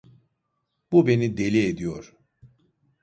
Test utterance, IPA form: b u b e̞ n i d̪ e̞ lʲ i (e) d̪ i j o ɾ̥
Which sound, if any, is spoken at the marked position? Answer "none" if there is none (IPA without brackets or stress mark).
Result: e